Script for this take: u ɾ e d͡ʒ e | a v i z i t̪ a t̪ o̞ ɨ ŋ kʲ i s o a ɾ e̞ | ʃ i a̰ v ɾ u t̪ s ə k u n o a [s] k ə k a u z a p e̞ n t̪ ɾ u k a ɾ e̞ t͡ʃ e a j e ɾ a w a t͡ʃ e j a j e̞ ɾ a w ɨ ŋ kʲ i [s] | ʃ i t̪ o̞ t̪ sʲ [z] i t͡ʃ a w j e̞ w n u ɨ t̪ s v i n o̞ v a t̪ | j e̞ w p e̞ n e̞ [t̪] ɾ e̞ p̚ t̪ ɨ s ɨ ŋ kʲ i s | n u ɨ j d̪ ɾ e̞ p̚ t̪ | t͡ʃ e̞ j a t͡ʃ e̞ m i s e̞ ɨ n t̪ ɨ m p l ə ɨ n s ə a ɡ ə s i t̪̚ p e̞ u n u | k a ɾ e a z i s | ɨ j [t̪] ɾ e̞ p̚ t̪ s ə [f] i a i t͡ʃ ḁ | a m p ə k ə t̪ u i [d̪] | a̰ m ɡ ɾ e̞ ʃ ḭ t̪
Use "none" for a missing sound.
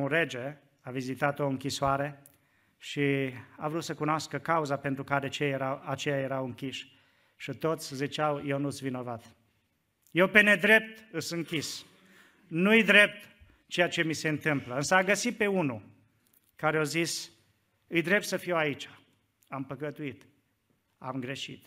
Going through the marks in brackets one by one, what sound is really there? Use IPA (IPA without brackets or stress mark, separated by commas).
s, ʃ, z, d̪, d̪, f, t̪